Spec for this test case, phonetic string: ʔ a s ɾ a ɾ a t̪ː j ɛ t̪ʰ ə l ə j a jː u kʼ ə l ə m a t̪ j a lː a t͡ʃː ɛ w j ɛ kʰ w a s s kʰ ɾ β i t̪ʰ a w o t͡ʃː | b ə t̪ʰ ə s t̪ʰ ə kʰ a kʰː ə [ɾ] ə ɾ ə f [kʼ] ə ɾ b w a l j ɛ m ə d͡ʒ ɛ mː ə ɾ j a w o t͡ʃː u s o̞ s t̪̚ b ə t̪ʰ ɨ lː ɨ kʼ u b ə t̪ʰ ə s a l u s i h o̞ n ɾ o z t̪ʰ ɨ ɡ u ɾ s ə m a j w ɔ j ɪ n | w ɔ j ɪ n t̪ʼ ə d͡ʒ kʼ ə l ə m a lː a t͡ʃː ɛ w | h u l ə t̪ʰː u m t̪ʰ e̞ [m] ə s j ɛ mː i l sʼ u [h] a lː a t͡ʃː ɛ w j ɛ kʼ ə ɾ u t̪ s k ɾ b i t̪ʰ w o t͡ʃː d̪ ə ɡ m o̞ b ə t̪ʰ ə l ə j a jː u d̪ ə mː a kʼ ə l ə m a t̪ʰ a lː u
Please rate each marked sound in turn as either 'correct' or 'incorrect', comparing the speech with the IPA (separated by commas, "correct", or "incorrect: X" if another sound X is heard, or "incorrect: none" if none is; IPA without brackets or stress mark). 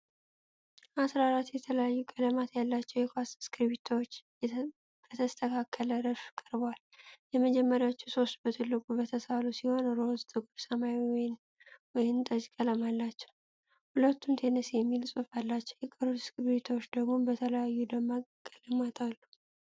incorrect: l, correct, incorrect: n, incorrect: f